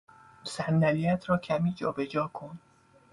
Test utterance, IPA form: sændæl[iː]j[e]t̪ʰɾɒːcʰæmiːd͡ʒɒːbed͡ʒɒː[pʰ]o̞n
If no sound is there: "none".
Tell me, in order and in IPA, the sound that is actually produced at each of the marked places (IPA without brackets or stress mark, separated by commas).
i, æ, kʰ